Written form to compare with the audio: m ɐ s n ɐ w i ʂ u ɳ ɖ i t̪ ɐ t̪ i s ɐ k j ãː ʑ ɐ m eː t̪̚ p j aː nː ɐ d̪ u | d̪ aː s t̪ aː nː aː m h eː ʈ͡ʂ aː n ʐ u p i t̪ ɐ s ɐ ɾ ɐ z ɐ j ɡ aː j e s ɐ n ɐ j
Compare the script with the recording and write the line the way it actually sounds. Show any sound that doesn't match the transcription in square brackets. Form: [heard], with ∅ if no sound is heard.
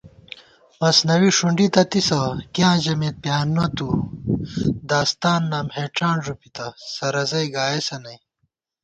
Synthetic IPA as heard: m ɐ s n ɐ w i ʂ u ɳ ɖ i t̪ ɐ t̪ i s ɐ k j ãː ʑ ɐ m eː t̪̚ p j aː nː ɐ [t̪] u | d̪ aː s t̪ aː nː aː m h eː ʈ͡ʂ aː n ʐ u p i t̪ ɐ s ɐ ɾ ɐ z ɐ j ɡ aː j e s ɐ n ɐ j